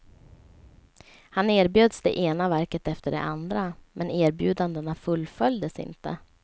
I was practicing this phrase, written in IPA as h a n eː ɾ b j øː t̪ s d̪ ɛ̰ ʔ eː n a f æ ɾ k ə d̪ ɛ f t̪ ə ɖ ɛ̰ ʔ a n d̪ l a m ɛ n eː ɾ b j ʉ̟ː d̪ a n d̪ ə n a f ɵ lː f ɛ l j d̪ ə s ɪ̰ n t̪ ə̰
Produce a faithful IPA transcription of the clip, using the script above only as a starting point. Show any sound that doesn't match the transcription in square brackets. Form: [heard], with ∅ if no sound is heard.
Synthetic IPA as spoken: h a n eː ɾ b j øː [d̪] s d̪ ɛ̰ ʔ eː n a [v] æ ɾ k ə [t̪] ɛ f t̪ ə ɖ ɛ̰ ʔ a n d̪ [ɾ] a m ɛ n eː ɾ b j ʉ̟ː d̪ a n d̪ ə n a f ɵ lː f [œ] l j d̪ ə s ɪ̰ n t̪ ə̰